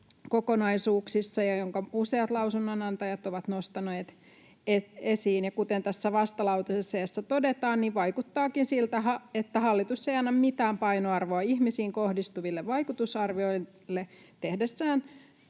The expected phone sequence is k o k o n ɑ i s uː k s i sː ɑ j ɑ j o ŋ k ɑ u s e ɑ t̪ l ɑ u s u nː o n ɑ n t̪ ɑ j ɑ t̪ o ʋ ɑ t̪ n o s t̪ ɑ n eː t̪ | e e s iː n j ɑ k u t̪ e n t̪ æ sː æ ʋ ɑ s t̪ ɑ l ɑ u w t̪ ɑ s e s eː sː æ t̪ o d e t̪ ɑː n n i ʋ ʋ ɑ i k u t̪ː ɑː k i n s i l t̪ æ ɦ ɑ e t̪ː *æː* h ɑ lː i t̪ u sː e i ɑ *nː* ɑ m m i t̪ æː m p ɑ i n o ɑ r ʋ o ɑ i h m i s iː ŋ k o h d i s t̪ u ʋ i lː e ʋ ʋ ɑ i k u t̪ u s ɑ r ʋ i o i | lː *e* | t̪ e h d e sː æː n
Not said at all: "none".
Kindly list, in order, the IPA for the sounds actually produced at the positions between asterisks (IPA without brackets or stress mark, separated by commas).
æ, nː, e